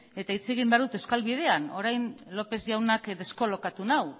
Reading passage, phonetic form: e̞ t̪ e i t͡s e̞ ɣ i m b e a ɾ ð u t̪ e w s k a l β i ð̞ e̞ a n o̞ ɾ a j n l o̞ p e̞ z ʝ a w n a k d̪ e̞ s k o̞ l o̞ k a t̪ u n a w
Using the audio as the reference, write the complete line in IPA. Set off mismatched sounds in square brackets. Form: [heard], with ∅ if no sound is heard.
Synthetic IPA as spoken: e̞ t̪ [a] i t͡s e̞ ɣ i m b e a ɾ ð u t̪ e w s k a l β i ð̞ e̞ a n o̞ ɾ a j n l o̞ p e̞ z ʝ a w n a k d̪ e̞ s k o̞ l o̞ k a t̪ u n a w